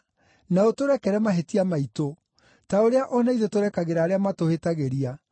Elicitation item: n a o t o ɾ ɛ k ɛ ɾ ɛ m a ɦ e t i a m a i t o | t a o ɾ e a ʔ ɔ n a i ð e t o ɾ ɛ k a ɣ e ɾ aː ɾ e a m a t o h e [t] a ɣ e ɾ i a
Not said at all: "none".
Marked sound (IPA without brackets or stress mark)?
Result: t